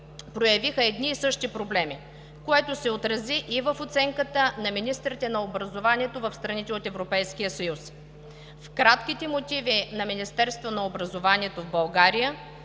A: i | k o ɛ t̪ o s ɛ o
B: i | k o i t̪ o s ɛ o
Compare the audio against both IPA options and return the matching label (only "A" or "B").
A